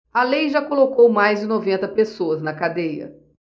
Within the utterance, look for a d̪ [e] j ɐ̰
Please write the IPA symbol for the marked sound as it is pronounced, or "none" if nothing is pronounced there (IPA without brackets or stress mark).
e